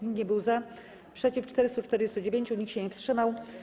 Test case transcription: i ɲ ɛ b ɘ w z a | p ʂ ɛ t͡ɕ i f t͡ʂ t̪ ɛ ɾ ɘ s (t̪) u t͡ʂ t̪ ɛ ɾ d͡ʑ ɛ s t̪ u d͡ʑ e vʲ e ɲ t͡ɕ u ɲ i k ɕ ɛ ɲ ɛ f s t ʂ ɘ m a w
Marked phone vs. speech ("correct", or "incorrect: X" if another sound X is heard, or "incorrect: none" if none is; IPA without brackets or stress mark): correct